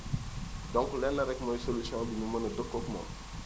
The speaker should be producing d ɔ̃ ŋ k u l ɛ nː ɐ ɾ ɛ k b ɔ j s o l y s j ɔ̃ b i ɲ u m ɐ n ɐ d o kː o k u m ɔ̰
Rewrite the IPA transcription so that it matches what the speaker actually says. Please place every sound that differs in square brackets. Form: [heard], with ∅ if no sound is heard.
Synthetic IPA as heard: d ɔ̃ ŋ k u l ɛ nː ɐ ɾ ɛ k [m] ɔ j s o l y s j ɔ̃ b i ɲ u m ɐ n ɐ d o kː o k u m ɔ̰